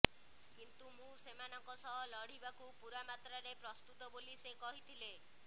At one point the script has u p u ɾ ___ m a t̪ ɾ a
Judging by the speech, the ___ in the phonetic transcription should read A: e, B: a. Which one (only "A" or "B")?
B